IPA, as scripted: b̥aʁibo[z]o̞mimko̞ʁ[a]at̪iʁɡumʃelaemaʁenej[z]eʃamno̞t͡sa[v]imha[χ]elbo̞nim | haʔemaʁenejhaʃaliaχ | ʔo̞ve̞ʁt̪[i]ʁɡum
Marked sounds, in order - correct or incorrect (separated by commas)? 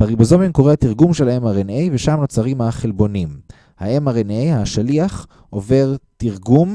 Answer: correct, incorrect, incorrect, incorrect, correct, correct